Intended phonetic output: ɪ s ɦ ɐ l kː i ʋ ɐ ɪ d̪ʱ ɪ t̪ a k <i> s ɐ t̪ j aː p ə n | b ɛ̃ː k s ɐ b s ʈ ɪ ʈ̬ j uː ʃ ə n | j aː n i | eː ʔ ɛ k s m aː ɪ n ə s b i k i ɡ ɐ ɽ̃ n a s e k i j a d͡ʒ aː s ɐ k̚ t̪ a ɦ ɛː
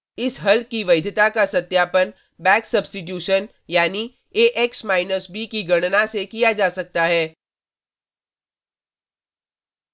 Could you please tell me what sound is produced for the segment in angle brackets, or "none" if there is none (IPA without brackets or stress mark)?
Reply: a